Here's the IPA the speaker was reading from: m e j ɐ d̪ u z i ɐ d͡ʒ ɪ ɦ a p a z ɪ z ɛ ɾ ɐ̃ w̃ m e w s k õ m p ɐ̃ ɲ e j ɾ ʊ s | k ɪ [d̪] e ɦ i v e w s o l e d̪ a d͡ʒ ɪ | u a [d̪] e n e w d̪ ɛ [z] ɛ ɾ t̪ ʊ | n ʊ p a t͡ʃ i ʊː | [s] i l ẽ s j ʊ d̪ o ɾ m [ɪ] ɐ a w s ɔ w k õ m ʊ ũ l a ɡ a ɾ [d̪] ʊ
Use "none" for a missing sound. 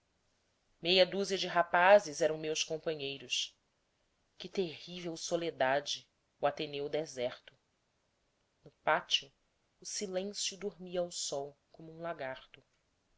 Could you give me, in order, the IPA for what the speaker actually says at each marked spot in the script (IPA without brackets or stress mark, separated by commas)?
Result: t̪, t̪, z, s, i, t̪